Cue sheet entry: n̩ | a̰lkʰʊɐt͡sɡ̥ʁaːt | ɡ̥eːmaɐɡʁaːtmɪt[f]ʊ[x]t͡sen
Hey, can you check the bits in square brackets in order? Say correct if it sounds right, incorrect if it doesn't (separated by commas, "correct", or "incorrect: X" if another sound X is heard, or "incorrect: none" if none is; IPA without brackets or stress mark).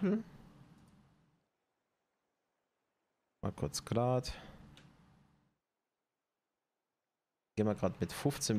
correct, incorrect: f